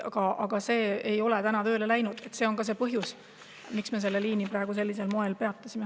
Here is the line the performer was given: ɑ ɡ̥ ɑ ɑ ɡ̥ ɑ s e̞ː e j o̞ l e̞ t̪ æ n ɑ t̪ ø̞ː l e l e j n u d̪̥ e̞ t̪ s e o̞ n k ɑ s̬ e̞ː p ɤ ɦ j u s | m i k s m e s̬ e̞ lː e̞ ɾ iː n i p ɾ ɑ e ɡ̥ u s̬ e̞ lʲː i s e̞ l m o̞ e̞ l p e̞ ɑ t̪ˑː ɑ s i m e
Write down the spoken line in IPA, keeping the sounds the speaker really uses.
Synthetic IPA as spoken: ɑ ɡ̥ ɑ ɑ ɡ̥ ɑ s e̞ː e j o̞ l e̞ t̪ æ n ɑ t̪ ø̞ː l e l æ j n u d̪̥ e̞ t̪ s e o̞ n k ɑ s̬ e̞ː p ɤ ɦ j u s | m i k s m e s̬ e̞ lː e̞ l iː n i p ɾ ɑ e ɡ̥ u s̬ e̞ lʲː i s e̞ l m o̞ e̞ l p e̞ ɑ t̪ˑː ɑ s i m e